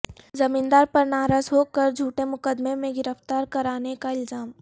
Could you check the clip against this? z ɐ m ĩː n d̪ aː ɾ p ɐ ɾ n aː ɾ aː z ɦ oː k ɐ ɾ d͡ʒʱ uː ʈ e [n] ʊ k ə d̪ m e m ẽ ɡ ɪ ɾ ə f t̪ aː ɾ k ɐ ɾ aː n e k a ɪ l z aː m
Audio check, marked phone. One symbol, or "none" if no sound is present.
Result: m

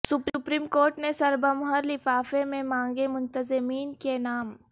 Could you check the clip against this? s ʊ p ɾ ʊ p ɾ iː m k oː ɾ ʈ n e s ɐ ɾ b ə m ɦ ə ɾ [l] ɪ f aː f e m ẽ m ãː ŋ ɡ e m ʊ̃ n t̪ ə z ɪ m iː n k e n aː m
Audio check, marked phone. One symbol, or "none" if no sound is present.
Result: l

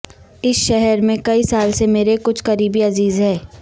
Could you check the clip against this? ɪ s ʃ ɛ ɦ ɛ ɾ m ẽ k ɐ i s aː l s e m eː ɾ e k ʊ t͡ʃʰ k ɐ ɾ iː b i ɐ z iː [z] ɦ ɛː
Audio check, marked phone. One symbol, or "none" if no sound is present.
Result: z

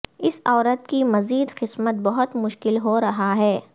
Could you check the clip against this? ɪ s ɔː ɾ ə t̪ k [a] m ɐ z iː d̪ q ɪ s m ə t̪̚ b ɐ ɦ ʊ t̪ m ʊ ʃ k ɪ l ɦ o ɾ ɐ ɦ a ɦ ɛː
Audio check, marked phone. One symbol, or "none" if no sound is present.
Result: i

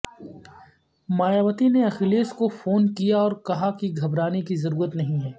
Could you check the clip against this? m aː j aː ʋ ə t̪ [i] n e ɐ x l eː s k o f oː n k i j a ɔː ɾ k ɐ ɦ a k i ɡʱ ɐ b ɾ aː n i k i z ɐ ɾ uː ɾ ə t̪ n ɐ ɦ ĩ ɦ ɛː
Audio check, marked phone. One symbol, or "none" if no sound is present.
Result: i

